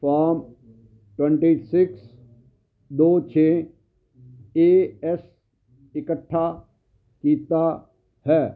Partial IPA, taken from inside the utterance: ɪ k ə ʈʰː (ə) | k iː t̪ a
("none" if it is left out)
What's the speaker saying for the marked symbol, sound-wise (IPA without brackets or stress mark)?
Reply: a